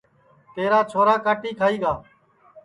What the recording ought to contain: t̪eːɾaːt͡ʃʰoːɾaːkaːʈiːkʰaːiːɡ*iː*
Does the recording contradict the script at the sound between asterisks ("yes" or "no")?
yes